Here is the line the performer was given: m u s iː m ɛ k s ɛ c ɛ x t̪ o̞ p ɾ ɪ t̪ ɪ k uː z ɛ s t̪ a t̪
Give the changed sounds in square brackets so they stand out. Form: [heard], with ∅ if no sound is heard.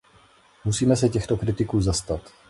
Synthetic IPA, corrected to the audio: m u s iː m ɛ [∅] s ɛ c ɛ x t̪ o̞ [k] ɾ ɪ t̪ ɪ k uː z [a] s t̪ a t̪